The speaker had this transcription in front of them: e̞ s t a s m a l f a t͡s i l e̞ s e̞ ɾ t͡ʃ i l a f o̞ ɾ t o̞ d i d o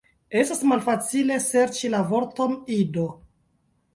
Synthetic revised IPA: e̞ s t a s m a l f a t͡s i l e̞ s e̞ ɾ t͡ʃ i l a v o̞ ɾ t o̞ n i d o